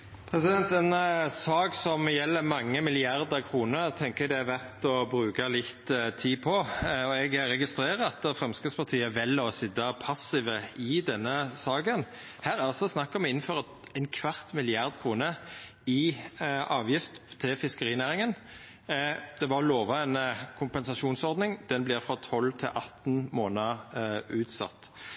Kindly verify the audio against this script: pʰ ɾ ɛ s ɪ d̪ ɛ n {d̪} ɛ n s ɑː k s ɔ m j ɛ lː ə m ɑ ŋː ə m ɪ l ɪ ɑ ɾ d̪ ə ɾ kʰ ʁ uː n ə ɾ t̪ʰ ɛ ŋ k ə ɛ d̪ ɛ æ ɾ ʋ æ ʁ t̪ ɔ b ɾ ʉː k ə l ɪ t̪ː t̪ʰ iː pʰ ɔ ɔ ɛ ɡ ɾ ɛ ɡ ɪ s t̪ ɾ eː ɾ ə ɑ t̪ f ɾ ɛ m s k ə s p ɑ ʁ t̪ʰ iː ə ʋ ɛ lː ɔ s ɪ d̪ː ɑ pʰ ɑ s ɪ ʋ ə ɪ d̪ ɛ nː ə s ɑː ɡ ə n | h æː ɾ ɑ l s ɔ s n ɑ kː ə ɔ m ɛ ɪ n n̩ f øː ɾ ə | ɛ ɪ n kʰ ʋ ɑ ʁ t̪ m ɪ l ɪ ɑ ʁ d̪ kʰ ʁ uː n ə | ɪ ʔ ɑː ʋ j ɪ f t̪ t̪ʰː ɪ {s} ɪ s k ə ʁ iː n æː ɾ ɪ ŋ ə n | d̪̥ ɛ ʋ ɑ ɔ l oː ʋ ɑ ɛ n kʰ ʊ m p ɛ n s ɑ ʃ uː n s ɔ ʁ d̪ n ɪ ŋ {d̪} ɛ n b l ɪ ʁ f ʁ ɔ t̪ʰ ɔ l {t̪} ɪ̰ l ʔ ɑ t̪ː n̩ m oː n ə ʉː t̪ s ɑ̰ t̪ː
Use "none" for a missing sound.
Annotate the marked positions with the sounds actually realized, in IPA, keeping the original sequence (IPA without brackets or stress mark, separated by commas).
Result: t̪, f, d̪, t̪ʰ